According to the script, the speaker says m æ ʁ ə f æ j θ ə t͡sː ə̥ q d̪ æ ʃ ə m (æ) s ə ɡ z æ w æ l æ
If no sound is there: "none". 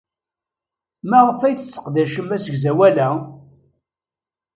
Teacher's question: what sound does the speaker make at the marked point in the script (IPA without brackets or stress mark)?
æ